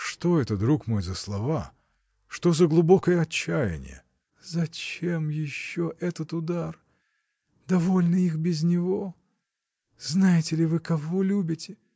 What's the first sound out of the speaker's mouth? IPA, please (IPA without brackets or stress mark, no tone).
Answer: ʂ